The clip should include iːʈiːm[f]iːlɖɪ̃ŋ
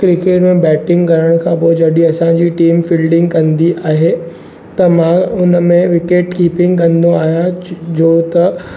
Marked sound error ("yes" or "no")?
no